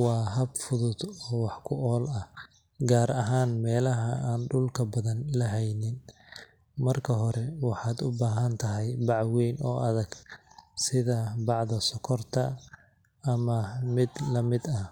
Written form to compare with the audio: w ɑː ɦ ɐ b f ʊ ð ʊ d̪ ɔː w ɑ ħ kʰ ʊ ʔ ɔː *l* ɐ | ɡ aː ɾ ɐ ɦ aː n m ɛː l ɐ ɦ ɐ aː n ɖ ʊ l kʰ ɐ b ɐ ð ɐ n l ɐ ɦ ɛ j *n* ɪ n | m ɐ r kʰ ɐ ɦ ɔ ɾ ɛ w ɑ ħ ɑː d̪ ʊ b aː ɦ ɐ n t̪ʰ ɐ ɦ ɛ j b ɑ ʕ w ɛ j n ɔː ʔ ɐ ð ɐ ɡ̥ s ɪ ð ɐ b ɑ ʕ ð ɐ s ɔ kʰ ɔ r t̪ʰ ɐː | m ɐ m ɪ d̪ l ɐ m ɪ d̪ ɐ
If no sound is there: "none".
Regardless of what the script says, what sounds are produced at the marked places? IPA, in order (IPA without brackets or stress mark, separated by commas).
l, n